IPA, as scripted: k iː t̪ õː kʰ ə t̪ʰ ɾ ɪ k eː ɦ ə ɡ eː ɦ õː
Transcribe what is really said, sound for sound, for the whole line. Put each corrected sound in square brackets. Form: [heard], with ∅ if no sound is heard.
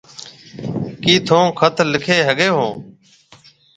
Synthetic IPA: k iː [t̪ʰ] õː kʰ ə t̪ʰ [l] ɪ [kʰ] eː ɦ ə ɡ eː ɦ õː

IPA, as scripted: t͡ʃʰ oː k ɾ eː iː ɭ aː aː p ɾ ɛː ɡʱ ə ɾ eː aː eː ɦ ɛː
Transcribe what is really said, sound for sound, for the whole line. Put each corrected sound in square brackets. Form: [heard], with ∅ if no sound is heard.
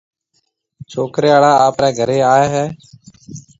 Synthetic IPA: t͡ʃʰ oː k ɾ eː [aː] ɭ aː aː p ɾ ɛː ɡʱ ə ɾ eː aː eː ɦ ɛː

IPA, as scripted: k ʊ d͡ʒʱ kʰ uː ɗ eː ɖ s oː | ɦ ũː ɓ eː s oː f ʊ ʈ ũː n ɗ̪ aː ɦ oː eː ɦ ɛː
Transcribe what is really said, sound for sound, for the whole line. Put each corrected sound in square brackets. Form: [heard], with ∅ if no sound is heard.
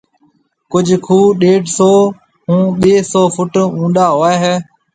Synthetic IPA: k ʊ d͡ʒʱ kʰ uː ɗ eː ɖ s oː | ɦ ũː ɓ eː s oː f ʊ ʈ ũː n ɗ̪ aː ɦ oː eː ɦ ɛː

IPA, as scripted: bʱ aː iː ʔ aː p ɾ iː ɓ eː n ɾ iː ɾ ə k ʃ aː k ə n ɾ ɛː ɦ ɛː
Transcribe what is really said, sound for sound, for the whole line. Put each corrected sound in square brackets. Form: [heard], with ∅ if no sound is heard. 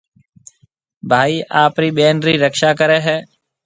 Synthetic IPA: bʱ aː iː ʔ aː p ɾ iː ɓ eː n ɾ iː ɾ ə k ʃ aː k ə [∅] ɾ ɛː ɦ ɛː

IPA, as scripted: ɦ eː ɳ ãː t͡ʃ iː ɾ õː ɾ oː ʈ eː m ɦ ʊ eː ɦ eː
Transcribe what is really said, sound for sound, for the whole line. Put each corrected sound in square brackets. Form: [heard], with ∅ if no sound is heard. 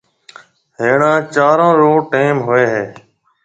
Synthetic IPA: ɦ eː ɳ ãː t͡ʃ [aː] ɾ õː ɾ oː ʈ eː m ɦ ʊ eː ɦ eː

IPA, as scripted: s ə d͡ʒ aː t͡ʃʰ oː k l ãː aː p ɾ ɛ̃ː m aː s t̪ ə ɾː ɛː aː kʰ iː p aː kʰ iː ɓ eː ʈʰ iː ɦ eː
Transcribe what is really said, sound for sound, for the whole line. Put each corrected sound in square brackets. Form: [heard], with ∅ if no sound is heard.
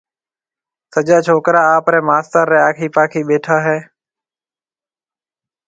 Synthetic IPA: s ə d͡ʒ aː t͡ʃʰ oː k [ɾ] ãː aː p ɾ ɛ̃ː m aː s t̪ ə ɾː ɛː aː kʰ iː p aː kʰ iː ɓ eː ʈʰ [aː] ɦ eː

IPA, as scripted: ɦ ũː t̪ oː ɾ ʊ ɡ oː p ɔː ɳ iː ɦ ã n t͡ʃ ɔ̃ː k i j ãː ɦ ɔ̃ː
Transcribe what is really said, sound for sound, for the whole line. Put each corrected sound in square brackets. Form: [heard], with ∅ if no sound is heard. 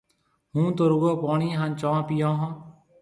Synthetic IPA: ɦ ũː t̪ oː ɾ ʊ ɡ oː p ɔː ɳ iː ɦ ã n t͡ʃ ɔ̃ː [p] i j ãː ɦ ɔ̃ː

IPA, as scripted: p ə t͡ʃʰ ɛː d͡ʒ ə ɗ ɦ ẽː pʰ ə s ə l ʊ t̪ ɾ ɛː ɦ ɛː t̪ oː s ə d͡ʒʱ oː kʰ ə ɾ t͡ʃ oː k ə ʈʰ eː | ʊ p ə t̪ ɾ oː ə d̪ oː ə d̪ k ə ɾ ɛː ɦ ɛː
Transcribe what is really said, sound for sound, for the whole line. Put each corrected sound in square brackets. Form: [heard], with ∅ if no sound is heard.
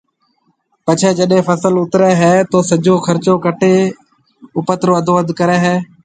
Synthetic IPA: p ə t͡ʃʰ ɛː d͡ʒ ə ɗ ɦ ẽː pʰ ə s ə l ʊ t̪ ɾ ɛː ɦ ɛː t̪ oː s ə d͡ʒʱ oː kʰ ə ɾ t͡ʃ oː k ə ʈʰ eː | ʊ p ə t̪ ɾ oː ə d̪ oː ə d̪ k ə ɾ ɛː ɦ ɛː

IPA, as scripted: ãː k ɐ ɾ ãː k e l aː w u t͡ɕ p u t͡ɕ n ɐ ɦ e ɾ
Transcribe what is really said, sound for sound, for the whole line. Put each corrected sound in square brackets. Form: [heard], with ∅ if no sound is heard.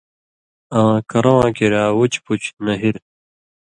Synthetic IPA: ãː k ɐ ɾ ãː k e [ɾ] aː w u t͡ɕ p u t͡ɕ n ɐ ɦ [i] ɾ

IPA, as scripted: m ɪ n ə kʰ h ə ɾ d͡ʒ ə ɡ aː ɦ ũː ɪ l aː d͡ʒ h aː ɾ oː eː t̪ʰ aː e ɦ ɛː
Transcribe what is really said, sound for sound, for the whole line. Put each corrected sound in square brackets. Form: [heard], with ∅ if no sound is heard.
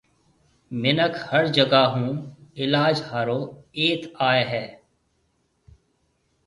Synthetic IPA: m ɪ n ə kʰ h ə ɾ d͡ʒ ə ɡ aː ɦ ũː ɪ l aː d͡ʒ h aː ɾ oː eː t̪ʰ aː e ɦ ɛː

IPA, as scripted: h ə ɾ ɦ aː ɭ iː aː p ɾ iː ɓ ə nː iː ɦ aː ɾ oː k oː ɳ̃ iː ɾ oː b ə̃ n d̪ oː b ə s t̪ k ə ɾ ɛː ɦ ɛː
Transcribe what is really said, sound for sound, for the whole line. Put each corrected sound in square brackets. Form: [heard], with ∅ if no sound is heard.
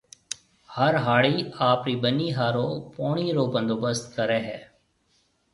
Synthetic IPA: h ə ɾ ɦ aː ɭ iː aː p ɾ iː [b] ə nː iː ɦ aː ɾ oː [p] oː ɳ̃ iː ɾ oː b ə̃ n d̪ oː b ə s t̪ k ə ɾ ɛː ɦ ɛː

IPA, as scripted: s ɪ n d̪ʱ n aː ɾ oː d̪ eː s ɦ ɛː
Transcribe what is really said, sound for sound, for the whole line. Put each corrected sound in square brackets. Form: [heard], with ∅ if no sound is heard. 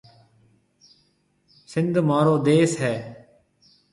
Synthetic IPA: s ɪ n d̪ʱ [m] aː ɾ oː d̪ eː s ɦ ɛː

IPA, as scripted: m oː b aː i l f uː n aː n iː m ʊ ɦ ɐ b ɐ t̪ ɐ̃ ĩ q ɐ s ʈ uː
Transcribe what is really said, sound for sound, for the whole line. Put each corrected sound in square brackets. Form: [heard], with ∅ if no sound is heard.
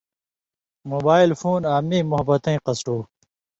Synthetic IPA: m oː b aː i l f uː n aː [m] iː m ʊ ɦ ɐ b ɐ t̪ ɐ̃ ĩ q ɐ s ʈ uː

